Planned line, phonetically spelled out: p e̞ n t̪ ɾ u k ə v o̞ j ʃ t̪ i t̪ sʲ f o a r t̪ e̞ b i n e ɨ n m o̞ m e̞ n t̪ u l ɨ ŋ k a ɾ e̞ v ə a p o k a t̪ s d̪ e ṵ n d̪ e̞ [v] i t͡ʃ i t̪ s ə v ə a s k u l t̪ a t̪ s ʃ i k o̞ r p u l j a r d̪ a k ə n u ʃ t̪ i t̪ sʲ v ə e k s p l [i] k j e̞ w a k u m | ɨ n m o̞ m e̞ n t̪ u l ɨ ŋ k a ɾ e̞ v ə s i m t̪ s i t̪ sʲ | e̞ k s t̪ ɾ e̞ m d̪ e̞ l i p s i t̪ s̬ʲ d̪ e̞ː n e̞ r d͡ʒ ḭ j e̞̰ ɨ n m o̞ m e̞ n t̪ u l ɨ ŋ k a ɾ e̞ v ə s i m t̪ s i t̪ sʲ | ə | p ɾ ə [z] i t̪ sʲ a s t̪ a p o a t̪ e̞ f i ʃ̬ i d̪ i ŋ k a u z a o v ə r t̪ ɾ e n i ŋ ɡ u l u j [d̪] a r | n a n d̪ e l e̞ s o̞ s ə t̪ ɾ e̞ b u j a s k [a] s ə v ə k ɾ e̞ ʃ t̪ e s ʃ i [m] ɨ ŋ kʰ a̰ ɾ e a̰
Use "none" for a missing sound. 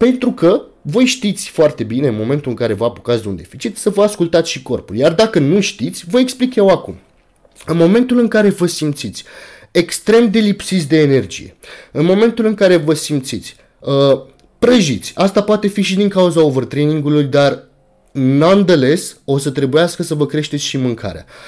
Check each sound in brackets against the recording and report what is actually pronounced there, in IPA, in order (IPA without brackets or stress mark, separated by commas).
f, i, ʒ, d̪, ə, m